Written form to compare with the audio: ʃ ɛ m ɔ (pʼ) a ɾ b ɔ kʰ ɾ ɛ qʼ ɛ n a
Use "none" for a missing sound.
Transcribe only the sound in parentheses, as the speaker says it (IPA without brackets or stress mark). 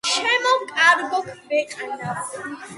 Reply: kʼ